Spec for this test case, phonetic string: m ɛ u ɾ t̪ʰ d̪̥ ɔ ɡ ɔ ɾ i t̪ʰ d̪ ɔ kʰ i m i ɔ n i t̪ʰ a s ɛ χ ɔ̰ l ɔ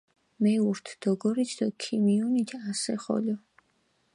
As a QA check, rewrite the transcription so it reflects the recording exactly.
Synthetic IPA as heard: m ɛ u ɾ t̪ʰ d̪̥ ɔ ɡ ɔ ɾ i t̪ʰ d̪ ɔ kʰ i m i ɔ n i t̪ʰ a s ɛ χ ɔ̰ l ɔ

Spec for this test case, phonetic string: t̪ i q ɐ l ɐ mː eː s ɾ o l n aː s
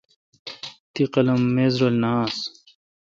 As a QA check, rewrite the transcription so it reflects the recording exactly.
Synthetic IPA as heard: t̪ i q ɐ l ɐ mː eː z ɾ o l n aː s

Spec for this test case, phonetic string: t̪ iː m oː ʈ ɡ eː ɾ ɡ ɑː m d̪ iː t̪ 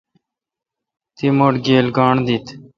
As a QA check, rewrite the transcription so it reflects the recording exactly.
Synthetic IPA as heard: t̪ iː m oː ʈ ɡ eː l ɡ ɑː ɳ d̪ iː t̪

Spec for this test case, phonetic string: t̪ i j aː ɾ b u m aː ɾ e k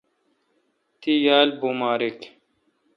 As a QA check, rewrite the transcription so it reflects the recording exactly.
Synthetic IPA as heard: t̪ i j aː l b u m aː ɾ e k

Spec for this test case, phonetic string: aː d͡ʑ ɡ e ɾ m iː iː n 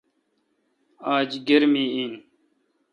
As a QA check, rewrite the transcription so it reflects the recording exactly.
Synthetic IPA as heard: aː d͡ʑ ɡ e ɾ m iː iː n

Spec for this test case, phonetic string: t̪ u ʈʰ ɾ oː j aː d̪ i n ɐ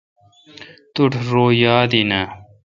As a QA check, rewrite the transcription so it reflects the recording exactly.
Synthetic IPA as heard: t̪ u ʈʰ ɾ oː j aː d̪ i n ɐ

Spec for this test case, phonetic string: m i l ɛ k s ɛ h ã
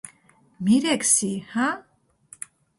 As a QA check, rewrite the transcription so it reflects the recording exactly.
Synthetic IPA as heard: m i ɾ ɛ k s i h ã

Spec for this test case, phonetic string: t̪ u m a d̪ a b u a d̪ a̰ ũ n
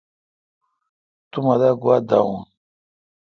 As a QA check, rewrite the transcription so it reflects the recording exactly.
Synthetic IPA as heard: t̪ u m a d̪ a ɡ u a d̪ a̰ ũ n

